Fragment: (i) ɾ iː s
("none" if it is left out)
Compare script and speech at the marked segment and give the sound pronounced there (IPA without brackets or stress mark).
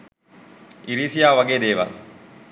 i